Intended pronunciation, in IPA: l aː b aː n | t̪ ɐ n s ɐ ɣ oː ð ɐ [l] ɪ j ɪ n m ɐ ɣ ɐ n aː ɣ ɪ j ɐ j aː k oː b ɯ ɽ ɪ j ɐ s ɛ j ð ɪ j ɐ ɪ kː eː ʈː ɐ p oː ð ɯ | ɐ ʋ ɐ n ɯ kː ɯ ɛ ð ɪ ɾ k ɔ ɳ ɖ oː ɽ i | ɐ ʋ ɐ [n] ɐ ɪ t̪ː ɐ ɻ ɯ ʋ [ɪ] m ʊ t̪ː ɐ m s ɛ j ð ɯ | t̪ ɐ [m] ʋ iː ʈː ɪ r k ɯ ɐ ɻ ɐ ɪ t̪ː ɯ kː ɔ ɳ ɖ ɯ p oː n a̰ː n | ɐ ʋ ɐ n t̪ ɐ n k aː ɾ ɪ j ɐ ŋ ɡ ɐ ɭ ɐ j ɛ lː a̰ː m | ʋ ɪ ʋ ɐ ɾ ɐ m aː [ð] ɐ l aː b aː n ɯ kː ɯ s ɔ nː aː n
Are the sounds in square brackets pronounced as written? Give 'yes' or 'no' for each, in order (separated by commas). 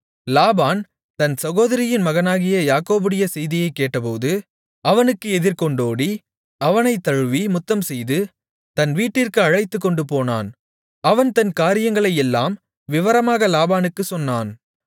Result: no, yes, no, no, no